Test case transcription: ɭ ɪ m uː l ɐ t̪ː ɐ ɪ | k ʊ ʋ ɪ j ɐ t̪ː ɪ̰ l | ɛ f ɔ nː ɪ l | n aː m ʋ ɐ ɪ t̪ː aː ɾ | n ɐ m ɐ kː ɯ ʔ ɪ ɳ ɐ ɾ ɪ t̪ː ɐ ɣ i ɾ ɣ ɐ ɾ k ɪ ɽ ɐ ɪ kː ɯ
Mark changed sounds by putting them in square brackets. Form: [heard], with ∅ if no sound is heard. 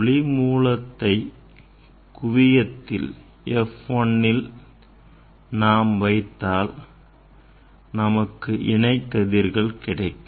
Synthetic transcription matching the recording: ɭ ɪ m uː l ɐ t̪ː ɐ ɪ | k ʊ ʋ ɪ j ɐ t̪ː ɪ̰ l | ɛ f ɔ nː ɪ l | n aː m ʋ ɐ ɪ t̪ː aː [l] | n ɐ m ɐ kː ɯ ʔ ɪ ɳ ɐ [∅] ɪ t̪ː ɐ [ð] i ɾ ɣ ɐ [ɭ] k ɪ ɽ ɐ ɪ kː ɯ